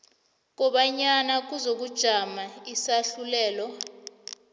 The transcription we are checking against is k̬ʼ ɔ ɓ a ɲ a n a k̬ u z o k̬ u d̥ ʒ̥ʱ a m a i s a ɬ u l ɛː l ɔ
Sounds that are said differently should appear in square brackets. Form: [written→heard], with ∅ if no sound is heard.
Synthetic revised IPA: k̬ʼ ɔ ɓ a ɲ a n a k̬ u z o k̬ u d̥ ʒ̥ʱ a m a i s a ɬ u l ɛː l ɔ